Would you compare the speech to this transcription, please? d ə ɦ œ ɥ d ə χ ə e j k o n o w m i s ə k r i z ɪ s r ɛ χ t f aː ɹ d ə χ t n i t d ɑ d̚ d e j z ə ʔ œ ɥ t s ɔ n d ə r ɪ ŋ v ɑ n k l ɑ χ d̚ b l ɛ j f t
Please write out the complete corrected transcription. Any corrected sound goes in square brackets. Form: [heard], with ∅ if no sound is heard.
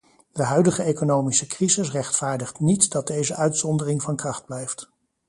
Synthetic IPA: d ə ɦ œ ɥ d ə χ ə e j k o n o w m i s ə k r i z ɪ s r ɛ χ t f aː ɹ d ə χ t n i t d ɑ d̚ d e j z ə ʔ œ ɥ t s ɔ n d ə r ɪ ŋ v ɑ n k [r] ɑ χ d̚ b l ɛ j f t

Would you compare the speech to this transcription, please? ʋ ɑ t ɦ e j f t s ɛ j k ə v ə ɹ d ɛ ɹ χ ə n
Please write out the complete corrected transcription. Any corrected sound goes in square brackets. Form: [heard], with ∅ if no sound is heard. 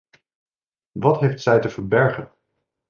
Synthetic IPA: ʋ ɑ t ɦ e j f t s ɛ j [t] ə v ə ɹ [b] ɛ ɹ χ ə n

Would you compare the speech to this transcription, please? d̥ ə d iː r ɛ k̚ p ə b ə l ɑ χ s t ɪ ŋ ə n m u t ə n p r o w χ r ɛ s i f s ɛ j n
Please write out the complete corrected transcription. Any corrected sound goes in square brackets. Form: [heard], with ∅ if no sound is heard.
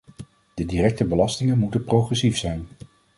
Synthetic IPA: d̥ ə d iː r ɛ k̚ [t] ə b ə l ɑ [∅] s t ɪ ŋ ə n m u t ə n p r o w χ r ɛ s i f s ɛ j n

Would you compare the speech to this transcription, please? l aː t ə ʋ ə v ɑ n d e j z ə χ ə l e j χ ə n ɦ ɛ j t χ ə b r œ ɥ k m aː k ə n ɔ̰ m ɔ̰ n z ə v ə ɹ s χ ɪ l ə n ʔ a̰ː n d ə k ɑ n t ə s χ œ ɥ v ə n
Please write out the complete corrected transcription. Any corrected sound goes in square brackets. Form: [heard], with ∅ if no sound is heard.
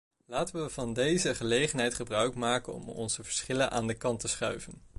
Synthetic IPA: l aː t ə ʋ ə v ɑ n d e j z ə χ ə l e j χ ə n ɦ ɛ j t χ ə b r œ ɥ k m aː k ə n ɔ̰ m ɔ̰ n z ə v ə ɹ s χ ɪ l ə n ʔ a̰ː n d ə k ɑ n t ə s χ œ ɥ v ə n

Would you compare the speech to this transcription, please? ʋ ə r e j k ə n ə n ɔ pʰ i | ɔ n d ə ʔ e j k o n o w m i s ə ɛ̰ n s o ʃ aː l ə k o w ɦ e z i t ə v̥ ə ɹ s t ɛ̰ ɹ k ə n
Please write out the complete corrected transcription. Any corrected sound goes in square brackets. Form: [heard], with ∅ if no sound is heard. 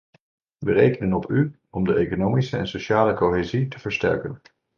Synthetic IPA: ʋ ə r e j k ə n ə n ɔ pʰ [y] | ɔ [m] d ə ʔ e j k o n o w m i s ə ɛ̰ n s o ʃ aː l ə k o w ɦ e z i t ə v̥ ə ɹ s t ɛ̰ ɹ k ə n

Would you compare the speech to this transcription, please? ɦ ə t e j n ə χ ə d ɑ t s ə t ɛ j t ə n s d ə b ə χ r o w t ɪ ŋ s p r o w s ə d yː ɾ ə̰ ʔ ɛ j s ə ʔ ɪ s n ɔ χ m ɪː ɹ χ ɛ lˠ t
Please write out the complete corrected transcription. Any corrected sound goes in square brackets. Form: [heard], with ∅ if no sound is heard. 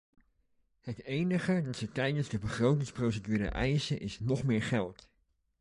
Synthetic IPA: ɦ ə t e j n ə χ ə d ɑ t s ə t ɛ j [d] ə n [z] d ə b ə χ r o w t ɪ ŋ s p r o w s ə d yː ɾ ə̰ ʔ ɛ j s ə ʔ ɪ s n ɔ χ m ɪː ɹ χ ɛ lˠ t

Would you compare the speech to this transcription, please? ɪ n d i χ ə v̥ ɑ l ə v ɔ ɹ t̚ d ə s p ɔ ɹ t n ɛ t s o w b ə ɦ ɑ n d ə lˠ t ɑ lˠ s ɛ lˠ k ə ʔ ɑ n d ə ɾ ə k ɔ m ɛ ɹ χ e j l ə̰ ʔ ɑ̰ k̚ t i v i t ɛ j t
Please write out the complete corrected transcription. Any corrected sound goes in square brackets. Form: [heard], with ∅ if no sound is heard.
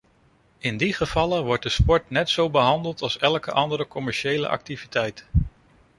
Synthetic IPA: ɪ n d i χ ə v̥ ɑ l ə [ʋ] ɔ ɹ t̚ d ə s p ɔ ɹ t n ɛ t s o w b ə ɦ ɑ n d ə lˠ t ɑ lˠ s ɛ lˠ k ə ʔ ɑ n d ə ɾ ə k ɔ m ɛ ɹ [ʃ] e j l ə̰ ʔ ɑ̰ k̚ t i v i t ɛ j t

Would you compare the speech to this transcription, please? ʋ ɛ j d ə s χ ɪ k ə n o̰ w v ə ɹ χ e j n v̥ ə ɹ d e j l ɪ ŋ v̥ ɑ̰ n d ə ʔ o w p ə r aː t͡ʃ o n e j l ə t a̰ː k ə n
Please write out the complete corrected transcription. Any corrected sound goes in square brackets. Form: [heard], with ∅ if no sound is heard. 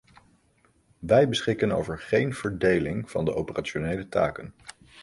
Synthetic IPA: ʋ ɛ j [b] ə s χ ɪ k ə n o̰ w v ə ɹ χ e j n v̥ ə ɹ d e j l ɪ ŋ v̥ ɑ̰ n d ə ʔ o w p ə r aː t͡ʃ o n e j l ə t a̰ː k ə n

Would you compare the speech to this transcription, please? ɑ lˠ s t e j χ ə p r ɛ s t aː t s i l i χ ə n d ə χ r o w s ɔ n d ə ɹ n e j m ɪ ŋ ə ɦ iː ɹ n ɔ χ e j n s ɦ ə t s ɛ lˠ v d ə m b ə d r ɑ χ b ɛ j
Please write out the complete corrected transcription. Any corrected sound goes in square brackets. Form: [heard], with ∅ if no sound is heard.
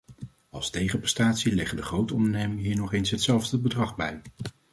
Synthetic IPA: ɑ lˠ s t e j χ ə p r ɛ s t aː t s i l [ɛ] χ ə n d ə χ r o w [t] ɔ n d ə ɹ n e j m ɪ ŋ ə ɦ iː ɹ n ɔ χ e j n s ɦ ə t s ɛ lˠ v d ə [∅] b ə d r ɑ χ b ɛ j

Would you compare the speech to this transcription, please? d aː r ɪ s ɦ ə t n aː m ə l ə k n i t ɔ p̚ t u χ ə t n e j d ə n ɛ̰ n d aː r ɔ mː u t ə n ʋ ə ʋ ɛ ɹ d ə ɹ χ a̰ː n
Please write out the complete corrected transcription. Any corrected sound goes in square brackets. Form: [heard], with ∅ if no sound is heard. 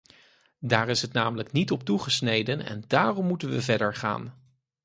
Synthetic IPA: d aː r ɪ s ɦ ə t n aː m ə l ə k n i t ɔ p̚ t u χ ə [s] n e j d ə n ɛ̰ n d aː r ɔ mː u t ə n ʋ ə [v] ɛ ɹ d ə ɹ χ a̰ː n

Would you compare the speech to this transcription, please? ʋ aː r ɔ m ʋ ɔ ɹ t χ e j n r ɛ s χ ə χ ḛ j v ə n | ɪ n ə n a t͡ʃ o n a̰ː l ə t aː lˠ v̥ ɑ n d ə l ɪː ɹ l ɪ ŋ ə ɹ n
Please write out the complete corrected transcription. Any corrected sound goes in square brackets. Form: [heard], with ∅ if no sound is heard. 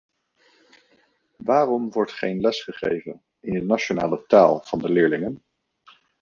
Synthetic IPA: ʋ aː r ɔ m ʋ ɔ ɹ t χ e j n [l] ɛ s χ ə χ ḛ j v ə n | ɪ n ə n a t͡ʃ o n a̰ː l ə t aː lˠ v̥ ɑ n d ə l ɪː ɹ l ɪ ŋ ə [∅] n

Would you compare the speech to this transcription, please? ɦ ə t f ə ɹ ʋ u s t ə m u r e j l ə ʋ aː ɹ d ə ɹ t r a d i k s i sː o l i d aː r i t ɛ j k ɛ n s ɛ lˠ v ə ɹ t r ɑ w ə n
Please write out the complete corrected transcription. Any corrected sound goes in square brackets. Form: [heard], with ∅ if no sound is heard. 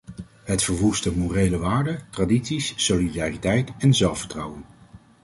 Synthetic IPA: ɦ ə t f ə ɹ ʋ u s t ə m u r e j l ə ʋ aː ɹ d ə [∅] t r a d i [t] s i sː o l i d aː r i t ɛ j [t] ɛ n [z] ɛ lˠ [f] ə ɹ t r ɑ w ə n

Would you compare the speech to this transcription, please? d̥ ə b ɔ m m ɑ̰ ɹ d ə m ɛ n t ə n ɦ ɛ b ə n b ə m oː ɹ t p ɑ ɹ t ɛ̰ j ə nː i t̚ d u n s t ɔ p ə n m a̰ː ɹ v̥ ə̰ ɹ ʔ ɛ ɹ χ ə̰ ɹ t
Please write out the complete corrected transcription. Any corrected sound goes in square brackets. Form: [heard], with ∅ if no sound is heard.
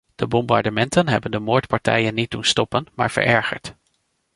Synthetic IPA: d̥ ə b ɔ m [b] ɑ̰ ɹ d ə m ɛ n t ə n ɦ ɛ b ə n [d] ə m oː ɹ t p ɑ ɹ t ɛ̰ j ə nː i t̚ d u n s t ɔ p ə n m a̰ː ɹ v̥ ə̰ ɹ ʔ ɛ ɹ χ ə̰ ɹ t

